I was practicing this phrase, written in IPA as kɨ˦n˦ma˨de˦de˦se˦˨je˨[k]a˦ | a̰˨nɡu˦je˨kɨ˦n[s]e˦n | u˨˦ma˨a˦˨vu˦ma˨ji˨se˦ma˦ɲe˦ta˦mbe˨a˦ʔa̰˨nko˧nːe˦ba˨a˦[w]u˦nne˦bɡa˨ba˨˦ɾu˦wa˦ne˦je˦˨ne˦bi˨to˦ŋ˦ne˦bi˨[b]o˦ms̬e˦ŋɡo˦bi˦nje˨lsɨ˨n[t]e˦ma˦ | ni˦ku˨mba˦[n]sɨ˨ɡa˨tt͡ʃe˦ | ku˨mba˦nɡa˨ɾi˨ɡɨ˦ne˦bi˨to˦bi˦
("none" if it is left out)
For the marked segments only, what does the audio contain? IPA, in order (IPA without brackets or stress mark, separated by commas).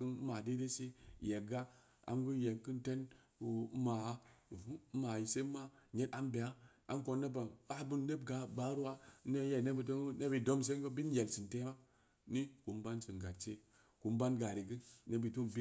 ɡ, t, b, d, t, n